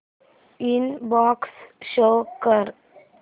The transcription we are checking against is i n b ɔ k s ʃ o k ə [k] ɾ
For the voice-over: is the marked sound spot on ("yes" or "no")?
no